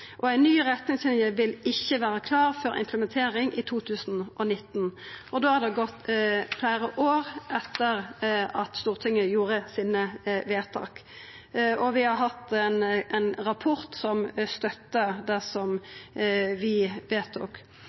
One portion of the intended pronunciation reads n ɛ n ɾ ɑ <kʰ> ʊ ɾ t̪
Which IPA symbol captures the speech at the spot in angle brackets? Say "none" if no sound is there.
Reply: pʰ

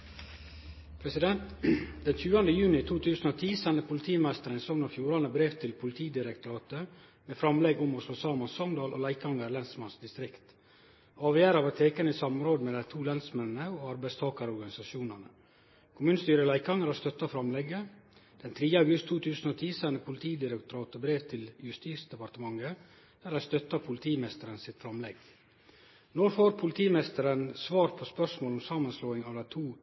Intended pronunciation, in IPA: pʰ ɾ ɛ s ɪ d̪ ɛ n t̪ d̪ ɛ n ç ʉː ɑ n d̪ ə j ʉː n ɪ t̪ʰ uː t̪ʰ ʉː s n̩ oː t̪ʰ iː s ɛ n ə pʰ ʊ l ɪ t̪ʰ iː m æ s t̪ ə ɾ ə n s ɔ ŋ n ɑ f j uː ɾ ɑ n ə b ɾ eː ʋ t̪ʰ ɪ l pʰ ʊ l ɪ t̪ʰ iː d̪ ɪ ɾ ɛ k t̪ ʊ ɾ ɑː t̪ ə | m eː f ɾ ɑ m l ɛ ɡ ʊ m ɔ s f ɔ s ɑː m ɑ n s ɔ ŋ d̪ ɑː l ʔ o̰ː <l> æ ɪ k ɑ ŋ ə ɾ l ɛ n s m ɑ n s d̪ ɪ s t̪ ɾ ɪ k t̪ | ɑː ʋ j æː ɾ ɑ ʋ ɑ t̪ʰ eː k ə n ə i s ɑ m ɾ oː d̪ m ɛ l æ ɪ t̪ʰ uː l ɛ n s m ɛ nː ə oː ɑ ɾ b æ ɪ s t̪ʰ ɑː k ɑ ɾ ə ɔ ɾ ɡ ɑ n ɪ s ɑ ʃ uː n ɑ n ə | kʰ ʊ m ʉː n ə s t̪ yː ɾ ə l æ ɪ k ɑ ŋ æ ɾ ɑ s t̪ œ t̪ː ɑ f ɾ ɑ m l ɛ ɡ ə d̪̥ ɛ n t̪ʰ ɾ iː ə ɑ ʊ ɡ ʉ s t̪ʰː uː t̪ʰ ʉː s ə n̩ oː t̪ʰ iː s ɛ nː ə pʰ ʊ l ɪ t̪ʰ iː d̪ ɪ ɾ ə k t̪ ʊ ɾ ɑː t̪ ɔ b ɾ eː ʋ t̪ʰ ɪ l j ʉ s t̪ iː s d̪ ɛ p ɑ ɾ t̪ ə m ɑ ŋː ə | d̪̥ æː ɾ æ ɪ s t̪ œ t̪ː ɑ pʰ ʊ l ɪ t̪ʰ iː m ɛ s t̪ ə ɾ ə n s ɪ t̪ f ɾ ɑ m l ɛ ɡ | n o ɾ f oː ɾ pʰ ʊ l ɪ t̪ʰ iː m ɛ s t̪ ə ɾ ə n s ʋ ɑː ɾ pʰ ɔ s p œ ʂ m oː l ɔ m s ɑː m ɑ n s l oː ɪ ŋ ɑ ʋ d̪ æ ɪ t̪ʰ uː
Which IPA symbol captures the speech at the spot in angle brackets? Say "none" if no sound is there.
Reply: l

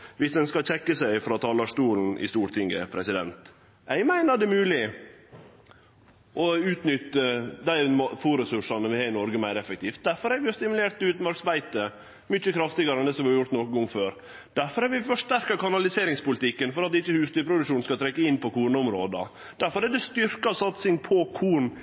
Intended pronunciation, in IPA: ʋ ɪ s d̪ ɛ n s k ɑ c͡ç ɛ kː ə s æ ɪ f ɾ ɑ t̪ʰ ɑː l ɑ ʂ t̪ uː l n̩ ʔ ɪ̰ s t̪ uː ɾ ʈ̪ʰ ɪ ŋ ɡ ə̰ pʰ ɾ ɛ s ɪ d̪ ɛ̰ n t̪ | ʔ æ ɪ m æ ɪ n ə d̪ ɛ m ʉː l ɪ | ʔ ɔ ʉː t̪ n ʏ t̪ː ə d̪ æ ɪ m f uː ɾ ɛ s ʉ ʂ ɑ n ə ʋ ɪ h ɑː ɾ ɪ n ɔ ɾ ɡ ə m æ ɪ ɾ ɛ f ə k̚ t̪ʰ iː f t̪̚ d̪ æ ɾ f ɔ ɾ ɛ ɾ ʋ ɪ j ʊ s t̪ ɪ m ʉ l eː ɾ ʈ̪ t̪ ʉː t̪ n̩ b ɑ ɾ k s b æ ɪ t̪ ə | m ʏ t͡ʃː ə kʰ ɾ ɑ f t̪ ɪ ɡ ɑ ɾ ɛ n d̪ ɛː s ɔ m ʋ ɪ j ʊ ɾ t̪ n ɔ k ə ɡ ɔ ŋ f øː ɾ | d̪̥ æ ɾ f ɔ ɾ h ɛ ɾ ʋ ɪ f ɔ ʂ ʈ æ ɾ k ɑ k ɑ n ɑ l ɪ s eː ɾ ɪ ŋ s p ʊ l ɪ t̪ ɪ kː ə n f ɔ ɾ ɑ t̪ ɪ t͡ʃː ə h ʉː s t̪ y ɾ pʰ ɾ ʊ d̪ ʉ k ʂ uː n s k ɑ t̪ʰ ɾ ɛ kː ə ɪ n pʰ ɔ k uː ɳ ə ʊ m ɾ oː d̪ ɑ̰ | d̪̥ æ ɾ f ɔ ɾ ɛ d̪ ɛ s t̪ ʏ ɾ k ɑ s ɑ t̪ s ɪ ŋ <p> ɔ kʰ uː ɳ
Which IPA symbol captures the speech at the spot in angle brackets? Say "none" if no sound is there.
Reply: pʰ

